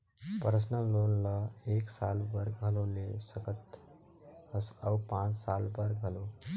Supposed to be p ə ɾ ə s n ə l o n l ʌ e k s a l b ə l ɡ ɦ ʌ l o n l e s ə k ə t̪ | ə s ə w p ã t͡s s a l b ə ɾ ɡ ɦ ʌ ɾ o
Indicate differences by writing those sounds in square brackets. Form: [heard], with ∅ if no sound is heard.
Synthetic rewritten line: p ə ɾ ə s n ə l o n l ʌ e k s a l b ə [ɾ] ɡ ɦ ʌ l o [∅] l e s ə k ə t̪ | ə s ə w p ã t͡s s a l b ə ɾ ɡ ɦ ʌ [l] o